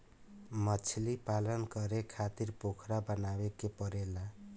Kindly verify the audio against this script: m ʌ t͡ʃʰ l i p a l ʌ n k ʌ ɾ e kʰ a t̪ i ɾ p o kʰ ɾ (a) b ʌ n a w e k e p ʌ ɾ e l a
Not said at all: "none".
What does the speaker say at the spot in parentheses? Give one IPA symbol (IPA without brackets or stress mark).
a